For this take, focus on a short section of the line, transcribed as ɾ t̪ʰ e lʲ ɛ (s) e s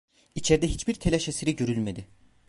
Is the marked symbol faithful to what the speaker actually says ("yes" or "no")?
no